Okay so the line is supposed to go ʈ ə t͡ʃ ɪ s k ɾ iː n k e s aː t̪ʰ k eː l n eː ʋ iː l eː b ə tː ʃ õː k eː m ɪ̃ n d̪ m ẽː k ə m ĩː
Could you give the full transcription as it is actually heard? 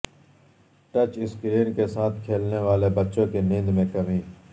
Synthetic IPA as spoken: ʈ ə t͡ʃ ɪ s k ɾ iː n k e s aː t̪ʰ kʰ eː l n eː ʋ aː l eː b ə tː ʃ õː k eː n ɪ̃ n d̪ m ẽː k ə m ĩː